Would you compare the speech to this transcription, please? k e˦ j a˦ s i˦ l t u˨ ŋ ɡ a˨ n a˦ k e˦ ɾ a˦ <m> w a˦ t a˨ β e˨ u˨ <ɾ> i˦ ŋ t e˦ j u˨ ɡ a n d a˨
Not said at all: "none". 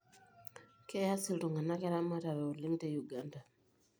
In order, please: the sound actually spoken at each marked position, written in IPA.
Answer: m, l

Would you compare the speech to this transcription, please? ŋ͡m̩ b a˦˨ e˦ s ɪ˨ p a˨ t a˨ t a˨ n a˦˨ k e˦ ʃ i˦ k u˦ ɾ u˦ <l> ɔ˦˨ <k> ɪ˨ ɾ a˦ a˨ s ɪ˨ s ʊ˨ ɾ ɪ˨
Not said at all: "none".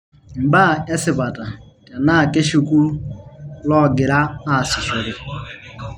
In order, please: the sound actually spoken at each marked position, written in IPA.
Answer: l, ɡ

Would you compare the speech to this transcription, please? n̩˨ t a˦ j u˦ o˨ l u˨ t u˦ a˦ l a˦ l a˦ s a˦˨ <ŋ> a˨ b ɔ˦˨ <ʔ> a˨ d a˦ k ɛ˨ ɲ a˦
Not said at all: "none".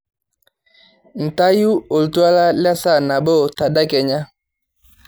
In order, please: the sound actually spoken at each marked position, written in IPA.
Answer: n, t

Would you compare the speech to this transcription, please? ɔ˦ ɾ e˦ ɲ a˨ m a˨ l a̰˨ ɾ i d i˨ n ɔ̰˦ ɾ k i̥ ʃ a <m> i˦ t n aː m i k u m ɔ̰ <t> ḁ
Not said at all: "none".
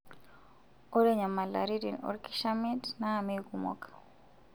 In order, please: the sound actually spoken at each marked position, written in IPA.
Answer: m, k

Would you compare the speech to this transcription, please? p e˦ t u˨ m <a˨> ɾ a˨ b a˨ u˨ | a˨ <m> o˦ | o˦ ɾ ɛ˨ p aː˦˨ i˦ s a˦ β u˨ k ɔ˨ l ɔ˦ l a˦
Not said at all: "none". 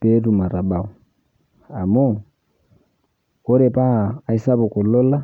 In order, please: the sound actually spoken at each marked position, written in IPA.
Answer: a˨, m

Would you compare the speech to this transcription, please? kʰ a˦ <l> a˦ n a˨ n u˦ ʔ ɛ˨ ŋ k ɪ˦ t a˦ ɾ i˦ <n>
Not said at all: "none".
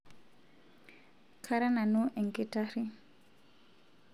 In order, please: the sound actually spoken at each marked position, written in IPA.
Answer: ɾ, none

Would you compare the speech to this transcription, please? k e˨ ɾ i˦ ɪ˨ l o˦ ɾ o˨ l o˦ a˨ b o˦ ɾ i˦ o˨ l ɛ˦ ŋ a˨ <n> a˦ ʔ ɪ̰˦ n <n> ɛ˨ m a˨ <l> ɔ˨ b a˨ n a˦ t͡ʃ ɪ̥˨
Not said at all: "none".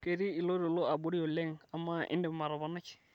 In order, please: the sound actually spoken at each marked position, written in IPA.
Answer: m, d, ɾ

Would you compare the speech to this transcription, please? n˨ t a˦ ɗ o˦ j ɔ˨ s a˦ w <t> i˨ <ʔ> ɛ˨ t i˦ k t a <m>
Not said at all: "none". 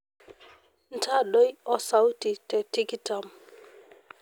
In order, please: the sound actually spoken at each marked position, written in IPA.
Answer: t, t, m

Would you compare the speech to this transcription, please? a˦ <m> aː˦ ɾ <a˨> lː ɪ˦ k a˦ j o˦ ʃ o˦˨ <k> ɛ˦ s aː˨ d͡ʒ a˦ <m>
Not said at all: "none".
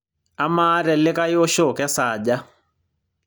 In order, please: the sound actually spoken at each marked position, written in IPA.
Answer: m, ɛ˨, k, none

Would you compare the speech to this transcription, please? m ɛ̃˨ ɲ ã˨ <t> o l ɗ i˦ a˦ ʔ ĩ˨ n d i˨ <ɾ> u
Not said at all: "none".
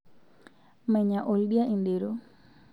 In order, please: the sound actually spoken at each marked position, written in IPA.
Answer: ʔ, ɾ

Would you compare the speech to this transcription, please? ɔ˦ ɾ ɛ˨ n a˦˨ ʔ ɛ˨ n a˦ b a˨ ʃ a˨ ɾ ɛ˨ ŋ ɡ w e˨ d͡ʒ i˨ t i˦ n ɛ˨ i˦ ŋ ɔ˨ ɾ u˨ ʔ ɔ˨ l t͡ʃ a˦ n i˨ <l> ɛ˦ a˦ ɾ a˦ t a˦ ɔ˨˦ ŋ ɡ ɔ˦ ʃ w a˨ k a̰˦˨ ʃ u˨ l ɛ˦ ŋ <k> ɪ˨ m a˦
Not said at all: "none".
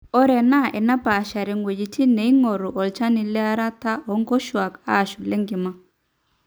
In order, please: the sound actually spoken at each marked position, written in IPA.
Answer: l, ɡ

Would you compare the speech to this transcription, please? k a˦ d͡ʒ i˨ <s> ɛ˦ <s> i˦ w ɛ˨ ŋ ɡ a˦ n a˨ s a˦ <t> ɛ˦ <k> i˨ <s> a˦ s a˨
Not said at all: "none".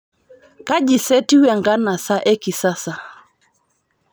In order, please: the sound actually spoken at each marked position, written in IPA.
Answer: s, t, ʔ, k, s

